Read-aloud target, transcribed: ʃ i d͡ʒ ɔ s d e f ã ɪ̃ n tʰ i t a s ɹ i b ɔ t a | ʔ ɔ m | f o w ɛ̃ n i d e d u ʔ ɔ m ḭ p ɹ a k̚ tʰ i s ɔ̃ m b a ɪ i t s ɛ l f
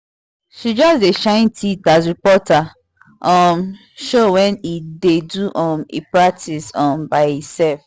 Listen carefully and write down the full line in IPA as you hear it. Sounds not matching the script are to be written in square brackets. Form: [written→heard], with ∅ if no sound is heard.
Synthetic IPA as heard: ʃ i d͡ʒ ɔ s d e [f→ʃ] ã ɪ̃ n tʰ i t a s ɹ i [b→p] ɔ t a | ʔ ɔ m | [f→ʃ] o w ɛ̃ n i d e d u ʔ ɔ m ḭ p ɹ a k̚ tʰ i s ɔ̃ m b a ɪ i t s ɛ l f